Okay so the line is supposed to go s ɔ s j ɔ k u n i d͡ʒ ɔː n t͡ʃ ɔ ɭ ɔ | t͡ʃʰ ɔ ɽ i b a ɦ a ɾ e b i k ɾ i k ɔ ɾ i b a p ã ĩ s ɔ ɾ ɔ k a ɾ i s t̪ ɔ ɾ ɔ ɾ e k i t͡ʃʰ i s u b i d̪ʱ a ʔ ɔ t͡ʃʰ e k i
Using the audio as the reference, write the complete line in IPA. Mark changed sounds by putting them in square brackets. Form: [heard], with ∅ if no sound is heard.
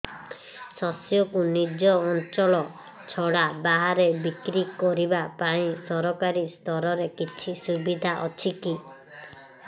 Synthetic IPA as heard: s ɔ s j ɔ k u n i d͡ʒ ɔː n t͡ʃ ɔ ɭ ɔ | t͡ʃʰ ɔ ɽ [a] b a ɦ a ɾ e b i k ɾ i k ɔ ɾ i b a p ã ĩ s ɔ ɾ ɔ k a ɾ i s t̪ ɔ ɾ ɔ ɾ e k i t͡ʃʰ i s u b i d̪ʱ a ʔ ɔ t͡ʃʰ [i] k i